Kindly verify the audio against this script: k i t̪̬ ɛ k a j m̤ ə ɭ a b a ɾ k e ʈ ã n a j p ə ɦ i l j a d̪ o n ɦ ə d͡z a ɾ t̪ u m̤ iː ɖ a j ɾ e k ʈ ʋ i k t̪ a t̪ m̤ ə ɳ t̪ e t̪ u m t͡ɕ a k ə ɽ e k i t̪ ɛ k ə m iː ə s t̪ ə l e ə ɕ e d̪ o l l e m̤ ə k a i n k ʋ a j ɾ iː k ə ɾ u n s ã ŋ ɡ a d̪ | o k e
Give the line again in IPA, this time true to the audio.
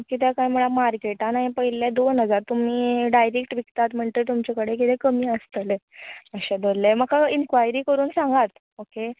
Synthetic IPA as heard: k i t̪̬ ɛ k a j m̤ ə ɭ a m a ɾ k e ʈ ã n a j p ə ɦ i l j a d̪ o n ɦ ə d͡z a ɾ t̪ u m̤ iː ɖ a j ɾ e k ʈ ʋ i k t̪ a t̪ m̤ ə ɳ t̪ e t̪ u m t͡ɕ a k ə ɽ e k i t̪ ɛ k ə m iː ə s t̪ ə l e ə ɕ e d̪ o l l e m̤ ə k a i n k ʋ a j ɾ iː k ə ɾ uː n s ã ŋ ɡ a t̪ | o k e